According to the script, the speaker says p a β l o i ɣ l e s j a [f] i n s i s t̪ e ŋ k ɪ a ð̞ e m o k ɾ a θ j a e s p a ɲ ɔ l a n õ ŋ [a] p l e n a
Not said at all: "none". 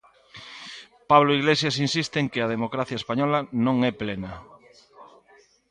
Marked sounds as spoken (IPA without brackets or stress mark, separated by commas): s, ɛ